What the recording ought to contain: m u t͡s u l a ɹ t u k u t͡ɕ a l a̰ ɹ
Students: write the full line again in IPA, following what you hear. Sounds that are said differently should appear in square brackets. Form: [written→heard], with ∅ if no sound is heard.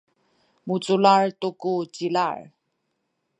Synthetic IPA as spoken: m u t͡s u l a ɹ t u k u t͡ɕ [a→i] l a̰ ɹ

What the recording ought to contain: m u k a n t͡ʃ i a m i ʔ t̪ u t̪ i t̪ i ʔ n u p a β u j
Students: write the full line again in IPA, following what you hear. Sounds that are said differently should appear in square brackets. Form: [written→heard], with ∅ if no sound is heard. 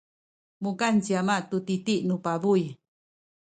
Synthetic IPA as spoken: m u k a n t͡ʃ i a m [i→a] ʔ t̪ u t̪ i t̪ i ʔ n u p a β u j

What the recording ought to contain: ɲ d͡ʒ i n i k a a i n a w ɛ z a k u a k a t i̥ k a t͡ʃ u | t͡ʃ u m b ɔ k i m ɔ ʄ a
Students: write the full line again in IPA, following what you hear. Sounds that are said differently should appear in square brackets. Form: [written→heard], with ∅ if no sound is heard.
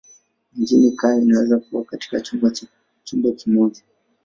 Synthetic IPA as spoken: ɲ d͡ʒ i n i k a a i n a w ɛ z a k u a k a t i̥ k a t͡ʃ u | t͡ʃ u m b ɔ k i m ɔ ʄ a

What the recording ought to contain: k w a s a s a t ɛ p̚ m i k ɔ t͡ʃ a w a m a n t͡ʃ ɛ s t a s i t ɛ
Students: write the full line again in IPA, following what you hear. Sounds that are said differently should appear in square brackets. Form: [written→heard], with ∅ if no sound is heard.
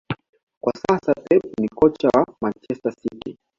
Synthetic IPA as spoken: k w a s a s a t ɛ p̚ [m→n] i k ɔ t͡ʃ a w a m a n t͡ʃ ɛ s t a s i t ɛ

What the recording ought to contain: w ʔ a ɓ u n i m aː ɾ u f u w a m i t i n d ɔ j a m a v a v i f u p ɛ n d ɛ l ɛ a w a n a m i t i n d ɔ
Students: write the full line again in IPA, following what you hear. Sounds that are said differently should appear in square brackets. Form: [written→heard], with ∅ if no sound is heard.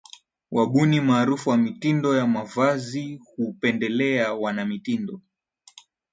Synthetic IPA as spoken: w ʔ a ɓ u n i m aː ɾ u f u w a m i t i n d ɔ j a m a v a [v→z] i [f→h] u p ɛ n d ɛ l ɛ a w a n a m i t i n d ɔ

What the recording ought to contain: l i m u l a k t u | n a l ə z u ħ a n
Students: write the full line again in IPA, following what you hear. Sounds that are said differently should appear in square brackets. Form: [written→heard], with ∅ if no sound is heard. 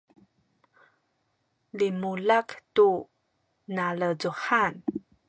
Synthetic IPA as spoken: l i m u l a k t u | n a l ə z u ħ a n

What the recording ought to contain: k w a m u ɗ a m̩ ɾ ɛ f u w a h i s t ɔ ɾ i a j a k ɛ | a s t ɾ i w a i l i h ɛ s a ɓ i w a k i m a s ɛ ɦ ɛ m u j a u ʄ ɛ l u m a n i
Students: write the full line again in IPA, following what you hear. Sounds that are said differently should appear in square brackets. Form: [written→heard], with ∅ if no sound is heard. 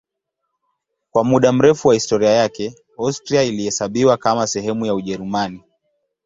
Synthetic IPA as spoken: k w a m u ɗ a m̩ ɾ ɛ f u w a h i s t ɔ ɾ i a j a k ɛ | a s t ɾ i [w→∅] a i l i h ɛ s a ɓ i w a k [i→a] m a s ɛ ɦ ɛ m u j a u ʄ ɛ [l→ɾ] u m a n i

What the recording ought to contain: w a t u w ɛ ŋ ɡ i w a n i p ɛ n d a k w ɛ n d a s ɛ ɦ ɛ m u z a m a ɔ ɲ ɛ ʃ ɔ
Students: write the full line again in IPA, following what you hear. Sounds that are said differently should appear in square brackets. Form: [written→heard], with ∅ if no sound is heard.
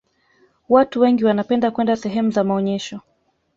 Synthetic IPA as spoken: w a t u w ɛ ŋ ɡ i w a n [i→a] p ɛ n d a k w ɛ n d a s ɛ ɦ ɛ m u z a m a ɔ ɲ ɛ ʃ ɔ

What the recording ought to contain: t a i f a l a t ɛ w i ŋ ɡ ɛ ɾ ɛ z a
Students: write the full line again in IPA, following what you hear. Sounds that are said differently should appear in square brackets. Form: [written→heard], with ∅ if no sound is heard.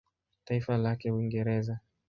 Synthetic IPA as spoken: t a i f a l a [t→k] ɛ w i ŋ ɡ ɛ ɾ ɛ z a

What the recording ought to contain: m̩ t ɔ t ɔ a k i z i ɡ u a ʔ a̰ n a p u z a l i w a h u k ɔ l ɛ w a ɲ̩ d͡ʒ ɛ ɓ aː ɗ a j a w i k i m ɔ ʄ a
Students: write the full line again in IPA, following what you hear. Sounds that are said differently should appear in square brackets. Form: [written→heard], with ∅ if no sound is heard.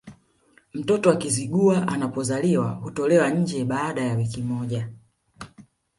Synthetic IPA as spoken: m̩ t ɔ t ɔ a k i z i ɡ u a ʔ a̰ n a p [u→ɔ] z a l i w a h u [k→t] ɔ l ɛ w a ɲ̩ d͡ʒ ɛ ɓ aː ɗ a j a w i k i m ɔ ʄ a

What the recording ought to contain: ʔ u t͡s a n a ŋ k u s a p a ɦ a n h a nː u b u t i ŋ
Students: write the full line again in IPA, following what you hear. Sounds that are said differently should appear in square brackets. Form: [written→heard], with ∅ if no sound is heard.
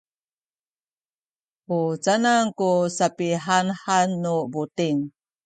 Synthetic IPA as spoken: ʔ u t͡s a n a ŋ k u s a p [a→i] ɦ a n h a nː u b u t i ŋ

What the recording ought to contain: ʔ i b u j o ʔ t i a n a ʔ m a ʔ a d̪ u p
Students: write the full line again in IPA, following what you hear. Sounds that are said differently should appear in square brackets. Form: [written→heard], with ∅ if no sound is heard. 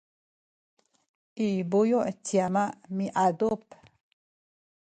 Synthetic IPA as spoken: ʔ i b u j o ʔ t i a [n→m] a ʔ m [a→i] ʔ a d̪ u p

